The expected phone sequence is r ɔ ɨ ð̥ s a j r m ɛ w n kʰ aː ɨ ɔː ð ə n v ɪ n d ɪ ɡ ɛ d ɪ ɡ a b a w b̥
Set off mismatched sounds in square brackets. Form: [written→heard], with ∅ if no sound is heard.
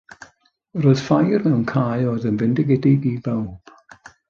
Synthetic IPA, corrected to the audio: r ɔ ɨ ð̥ [s→f] a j r m ɛ w n kʰ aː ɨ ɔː ð ə n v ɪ n d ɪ ɡ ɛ d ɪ ɡ [a→i] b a w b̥